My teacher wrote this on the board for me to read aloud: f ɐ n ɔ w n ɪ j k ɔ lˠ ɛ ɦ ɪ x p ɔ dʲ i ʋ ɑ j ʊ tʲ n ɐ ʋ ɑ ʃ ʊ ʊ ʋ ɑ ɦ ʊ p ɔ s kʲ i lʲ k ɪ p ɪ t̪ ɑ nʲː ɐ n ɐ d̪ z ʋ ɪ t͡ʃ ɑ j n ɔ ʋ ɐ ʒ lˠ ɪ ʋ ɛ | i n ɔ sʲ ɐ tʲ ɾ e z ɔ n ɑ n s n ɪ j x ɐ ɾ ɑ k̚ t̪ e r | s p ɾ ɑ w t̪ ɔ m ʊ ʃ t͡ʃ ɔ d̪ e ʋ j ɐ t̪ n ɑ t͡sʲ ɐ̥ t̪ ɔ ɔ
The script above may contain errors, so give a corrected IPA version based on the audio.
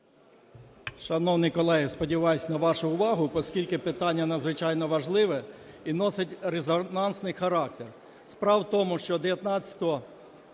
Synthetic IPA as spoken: ʃ ɐ n ɔ w n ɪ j k ɔ lˠ ɛ ɦ ɪ s p ɔ dʲ i ʋ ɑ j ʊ sʲ n ɐ ʋ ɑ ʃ ʊ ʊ ʋ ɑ ɦ ʊ p ɔ s kʲ i lʲ k ɪ p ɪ t̪ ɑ nʲː ɐ n ɐ d̪ z ʋ ɪ t͡ʃ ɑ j n ɔ ʋ ɐ ʒ lˠ ɪ ʋ ɛ | i n ɔ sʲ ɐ tʲ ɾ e z ɔ n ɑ n s n ɪ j x ɐ ɾ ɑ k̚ t̪ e r | s p ɾ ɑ w t̪ ɔ m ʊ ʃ t͡ʃ ɔ d̪ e ʋ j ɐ t̪ n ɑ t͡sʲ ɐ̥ t̪ ɔ ɔ